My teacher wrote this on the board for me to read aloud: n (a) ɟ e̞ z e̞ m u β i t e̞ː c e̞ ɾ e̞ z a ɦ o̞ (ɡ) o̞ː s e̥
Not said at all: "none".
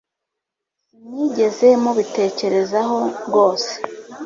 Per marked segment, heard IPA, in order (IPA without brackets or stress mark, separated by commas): i, ɡ